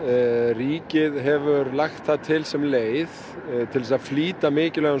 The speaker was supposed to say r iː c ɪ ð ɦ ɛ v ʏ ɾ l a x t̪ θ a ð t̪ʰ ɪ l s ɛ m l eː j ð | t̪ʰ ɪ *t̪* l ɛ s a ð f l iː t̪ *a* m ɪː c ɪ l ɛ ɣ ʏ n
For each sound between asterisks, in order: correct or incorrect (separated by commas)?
incorrect, correct